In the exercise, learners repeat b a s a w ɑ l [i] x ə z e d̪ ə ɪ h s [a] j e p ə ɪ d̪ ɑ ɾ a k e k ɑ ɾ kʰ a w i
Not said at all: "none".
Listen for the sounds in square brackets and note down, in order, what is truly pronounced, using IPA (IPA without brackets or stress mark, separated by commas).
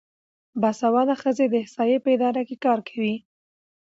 a, ɑ